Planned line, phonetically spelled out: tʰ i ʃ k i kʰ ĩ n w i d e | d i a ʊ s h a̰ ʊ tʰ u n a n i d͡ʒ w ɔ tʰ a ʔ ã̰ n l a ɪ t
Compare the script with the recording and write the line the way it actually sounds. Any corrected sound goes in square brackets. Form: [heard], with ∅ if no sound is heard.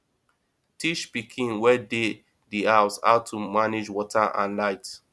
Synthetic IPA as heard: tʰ i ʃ [p] i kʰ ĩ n w [ɛ] d e | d i a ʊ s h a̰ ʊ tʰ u [m] a n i d͡ʒ w ɔ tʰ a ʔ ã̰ n l a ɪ t